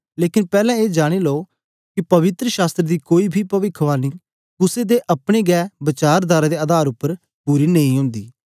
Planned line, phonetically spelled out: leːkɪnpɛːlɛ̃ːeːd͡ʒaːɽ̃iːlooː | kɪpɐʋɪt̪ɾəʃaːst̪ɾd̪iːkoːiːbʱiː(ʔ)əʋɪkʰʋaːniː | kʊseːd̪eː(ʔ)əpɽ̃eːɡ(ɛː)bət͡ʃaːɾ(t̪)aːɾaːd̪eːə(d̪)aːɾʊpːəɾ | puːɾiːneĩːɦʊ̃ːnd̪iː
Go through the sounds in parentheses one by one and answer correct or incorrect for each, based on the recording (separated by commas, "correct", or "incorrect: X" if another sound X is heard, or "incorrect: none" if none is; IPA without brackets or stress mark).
incorrect: p, correct, correct, incorrect: d̪, correct